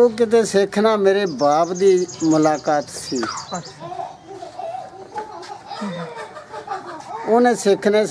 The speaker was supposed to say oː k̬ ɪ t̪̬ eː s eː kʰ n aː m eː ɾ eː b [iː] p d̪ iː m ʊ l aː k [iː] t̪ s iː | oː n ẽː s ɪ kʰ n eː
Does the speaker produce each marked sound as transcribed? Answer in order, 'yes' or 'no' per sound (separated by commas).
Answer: no, no